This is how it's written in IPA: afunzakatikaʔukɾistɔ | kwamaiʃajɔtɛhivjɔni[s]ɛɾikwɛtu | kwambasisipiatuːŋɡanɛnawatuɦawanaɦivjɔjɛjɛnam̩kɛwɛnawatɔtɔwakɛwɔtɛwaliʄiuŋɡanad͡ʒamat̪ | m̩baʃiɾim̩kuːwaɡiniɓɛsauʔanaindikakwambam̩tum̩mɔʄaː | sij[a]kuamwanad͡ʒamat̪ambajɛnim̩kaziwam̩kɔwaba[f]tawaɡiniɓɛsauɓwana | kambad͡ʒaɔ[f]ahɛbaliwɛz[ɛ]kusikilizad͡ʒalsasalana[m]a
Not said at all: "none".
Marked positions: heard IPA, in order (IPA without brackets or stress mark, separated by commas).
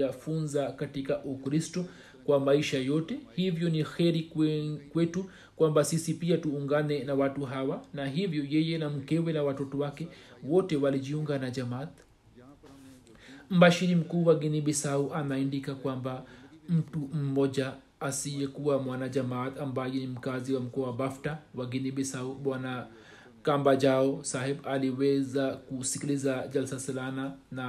x, ɛ, f, s, a, n